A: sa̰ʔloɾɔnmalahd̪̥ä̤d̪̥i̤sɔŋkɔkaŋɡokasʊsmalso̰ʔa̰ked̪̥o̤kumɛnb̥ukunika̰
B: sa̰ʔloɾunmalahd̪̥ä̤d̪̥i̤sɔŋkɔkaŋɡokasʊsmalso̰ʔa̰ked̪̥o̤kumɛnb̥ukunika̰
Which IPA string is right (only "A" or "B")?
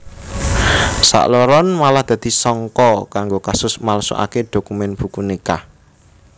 A